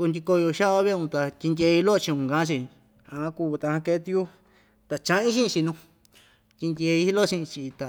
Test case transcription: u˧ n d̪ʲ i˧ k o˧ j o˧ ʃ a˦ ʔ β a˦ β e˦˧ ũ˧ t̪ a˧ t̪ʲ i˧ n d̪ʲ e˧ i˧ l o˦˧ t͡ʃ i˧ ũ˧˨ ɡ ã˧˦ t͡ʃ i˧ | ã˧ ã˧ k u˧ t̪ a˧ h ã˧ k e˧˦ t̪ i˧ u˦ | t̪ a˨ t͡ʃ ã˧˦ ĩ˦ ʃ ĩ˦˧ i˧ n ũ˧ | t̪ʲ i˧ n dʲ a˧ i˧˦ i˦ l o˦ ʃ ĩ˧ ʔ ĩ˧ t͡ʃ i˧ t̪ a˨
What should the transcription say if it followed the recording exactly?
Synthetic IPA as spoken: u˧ n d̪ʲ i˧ k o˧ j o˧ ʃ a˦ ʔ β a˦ β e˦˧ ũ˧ t̪ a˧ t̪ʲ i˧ n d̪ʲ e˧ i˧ l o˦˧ t͡ʃ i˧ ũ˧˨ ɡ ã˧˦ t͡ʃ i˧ | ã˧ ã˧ k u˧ t̪ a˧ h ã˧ k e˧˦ t̪ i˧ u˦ | t̪ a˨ t͡ʃ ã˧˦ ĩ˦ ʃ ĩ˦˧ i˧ n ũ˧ | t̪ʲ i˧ n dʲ e˧ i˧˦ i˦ l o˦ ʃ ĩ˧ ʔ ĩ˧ t͡ʃ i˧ t̪ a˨

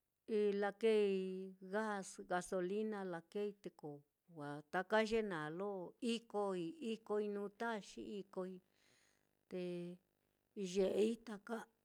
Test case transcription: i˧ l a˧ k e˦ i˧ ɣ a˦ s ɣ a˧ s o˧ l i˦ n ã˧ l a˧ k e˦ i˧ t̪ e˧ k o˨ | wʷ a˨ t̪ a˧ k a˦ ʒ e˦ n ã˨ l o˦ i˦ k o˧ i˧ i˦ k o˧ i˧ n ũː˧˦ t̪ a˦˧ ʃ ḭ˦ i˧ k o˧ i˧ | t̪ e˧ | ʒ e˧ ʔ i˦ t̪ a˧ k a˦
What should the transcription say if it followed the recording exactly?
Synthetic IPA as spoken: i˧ l a˧ k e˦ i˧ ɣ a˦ s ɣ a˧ s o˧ l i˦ n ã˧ l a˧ k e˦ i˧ t̪ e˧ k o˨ | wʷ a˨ t̪ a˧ k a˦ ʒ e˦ n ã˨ l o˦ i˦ k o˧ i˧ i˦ k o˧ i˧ n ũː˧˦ t̪ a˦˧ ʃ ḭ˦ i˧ k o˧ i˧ | t̪ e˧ | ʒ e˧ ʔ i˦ t̪ a˧ k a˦

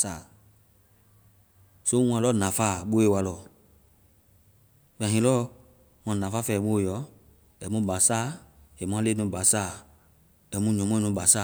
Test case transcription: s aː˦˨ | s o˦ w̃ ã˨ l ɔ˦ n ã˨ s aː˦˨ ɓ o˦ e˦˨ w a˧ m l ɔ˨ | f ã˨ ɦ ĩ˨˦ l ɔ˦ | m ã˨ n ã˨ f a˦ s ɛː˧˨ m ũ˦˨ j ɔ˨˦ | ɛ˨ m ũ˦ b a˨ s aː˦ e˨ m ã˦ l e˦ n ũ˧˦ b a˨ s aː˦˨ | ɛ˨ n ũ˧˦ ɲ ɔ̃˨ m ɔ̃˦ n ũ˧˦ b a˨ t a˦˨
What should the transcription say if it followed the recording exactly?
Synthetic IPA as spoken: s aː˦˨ | s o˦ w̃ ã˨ l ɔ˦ n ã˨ f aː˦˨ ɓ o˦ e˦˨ w a˧ l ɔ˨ | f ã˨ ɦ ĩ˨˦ l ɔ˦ | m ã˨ n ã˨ f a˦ f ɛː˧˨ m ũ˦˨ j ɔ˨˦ | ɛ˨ m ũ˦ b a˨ s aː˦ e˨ m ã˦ l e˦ n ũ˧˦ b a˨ s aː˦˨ | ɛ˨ m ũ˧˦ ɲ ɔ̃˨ m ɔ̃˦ n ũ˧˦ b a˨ s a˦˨

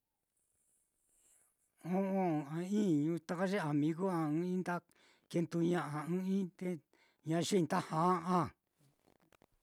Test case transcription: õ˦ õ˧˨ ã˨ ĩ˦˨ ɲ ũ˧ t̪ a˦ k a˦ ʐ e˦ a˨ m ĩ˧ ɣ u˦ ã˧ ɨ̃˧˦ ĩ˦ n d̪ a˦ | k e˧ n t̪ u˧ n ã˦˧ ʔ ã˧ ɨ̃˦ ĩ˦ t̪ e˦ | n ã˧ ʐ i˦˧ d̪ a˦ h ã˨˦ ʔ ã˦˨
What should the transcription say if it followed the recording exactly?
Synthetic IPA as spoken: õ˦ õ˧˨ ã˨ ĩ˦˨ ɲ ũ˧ t̪ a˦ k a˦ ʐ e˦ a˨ m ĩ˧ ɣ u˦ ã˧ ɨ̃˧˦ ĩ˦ n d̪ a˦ | k e˧ n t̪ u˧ ɲ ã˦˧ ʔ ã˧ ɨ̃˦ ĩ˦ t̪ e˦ | ɲ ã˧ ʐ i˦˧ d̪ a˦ h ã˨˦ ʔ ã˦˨

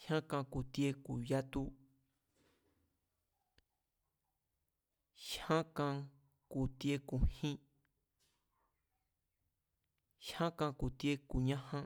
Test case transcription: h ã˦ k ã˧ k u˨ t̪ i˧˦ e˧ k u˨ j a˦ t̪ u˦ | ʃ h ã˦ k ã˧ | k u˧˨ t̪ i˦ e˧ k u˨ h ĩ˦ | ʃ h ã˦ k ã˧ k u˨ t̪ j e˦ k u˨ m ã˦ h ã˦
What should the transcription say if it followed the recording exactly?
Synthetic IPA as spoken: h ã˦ k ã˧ k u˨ t̪ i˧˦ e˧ k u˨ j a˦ t̪ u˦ | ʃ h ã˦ k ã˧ | k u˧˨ t̪ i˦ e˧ k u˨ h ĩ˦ | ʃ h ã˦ k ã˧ k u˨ t̪ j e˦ k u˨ ɲ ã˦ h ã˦

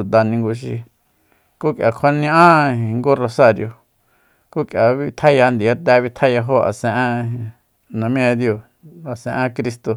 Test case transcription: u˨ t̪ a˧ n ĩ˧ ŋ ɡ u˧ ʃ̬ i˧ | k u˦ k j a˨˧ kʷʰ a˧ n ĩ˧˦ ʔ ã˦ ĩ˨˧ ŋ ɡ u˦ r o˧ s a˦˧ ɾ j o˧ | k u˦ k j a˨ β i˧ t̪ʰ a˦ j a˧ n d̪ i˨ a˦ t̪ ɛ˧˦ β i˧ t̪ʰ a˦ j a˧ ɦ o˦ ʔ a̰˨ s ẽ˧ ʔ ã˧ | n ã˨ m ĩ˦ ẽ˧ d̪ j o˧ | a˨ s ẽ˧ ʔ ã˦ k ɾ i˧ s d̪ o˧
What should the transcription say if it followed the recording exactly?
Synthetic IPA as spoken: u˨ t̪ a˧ n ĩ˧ ŋ ɡ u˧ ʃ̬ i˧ | k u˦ k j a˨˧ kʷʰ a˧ n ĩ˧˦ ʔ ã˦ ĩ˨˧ ŋ ɡ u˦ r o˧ s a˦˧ ɾ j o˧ | k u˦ k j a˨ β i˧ t̪ʰ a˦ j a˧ n d̪ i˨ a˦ t̪ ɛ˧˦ β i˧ t̪ʰ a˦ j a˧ ɦ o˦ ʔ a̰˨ s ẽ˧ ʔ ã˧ | n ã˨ m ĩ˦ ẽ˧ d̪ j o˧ | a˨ s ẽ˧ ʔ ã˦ k ɾ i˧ s t̪ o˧

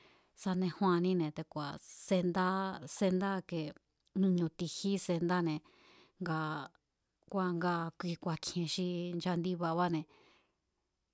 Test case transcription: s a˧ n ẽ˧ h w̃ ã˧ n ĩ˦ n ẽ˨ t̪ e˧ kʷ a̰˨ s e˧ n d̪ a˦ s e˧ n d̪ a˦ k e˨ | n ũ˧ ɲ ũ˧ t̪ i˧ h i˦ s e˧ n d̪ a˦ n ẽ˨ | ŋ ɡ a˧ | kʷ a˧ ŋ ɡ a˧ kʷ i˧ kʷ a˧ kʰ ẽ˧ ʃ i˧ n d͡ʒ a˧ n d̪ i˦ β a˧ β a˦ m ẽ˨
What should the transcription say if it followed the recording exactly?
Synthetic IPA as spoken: s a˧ n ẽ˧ h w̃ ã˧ n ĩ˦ n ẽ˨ t̪ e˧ kʷ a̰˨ s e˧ n d̪ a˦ s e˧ n d̪ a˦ k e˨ | n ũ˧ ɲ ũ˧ t̪ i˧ h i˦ s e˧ n d̪ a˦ n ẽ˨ | ŋ ɡ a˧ | kʷ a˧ ŋ ɡ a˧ kʷ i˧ kʷ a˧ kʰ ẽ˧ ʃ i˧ n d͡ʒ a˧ n d̪ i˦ β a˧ β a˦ n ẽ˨

